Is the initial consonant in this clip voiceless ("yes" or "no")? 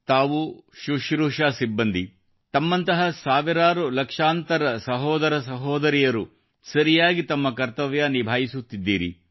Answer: yes